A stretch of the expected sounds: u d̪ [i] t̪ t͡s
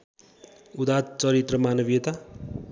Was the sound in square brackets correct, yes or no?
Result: no